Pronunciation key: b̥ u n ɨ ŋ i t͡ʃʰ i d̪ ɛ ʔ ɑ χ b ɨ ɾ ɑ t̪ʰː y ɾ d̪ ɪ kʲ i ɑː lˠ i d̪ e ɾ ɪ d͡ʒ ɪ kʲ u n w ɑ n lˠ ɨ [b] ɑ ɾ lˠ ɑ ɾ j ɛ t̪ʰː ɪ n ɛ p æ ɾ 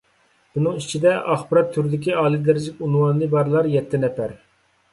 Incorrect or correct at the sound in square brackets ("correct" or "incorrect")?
correct